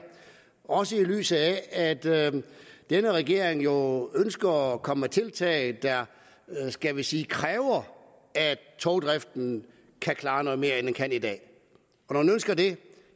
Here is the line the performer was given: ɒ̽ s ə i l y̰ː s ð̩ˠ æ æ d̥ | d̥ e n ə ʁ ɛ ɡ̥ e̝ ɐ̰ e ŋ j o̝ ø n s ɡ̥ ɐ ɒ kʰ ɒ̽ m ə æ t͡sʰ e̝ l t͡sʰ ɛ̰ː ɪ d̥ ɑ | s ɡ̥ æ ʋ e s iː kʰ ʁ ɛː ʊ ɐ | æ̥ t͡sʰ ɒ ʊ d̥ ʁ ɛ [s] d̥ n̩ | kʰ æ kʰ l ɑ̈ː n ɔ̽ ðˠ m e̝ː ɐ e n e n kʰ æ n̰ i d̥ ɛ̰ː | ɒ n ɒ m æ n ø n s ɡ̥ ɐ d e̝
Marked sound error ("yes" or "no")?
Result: yes